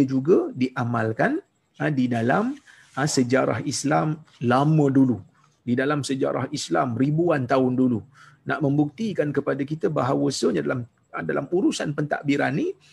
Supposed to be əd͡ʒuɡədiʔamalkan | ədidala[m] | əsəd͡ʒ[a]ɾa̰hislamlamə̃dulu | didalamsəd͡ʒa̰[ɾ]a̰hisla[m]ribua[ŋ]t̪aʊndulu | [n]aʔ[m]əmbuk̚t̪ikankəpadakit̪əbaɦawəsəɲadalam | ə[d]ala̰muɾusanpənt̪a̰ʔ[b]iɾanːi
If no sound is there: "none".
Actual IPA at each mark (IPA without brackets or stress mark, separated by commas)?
m, a, ɾ, m, n, n, m, d, b